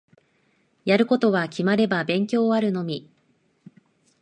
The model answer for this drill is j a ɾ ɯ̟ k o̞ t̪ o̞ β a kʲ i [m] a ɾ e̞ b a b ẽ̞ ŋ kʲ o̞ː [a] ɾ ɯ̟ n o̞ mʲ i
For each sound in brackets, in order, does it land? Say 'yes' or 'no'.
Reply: yes, yes

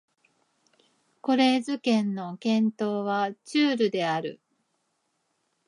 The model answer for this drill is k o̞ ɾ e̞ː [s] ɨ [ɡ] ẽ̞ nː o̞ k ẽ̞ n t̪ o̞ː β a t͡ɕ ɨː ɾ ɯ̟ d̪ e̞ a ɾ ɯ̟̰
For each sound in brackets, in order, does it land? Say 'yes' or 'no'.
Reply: no, no

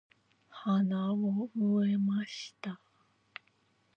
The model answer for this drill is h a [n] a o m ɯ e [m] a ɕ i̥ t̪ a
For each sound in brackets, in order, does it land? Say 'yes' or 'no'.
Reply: yes, yes

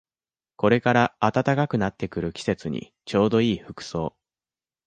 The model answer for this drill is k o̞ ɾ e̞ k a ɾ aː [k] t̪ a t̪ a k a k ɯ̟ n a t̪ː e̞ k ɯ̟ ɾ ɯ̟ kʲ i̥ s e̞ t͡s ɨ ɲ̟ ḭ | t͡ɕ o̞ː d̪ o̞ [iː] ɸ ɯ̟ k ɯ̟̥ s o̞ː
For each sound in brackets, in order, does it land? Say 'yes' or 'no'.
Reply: no, yes

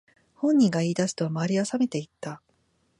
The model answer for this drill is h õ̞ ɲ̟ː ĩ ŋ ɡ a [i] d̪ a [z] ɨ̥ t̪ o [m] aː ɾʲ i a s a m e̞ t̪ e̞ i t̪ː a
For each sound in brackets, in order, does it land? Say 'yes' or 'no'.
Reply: no, no, yes

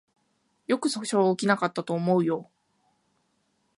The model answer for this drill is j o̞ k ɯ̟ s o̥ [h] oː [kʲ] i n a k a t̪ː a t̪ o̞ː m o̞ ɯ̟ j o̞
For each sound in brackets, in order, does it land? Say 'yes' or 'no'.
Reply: no, yes

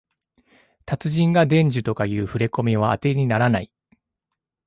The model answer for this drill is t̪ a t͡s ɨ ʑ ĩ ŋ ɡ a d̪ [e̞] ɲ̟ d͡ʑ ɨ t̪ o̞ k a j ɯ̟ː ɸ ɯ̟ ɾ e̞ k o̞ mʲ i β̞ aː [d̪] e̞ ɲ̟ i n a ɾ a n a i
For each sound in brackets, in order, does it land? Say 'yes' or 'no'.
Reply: no, no

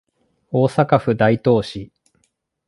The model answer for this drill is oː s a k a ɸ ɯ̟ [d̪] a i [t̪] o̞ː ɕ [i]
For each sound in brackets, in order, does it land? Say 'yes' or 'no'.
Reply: yes, yes, yes

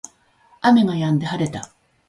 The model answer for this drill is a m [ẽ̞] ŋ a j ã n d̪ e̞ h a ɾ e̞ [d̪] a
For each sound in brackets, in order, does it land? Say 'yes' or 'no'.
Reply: no, no

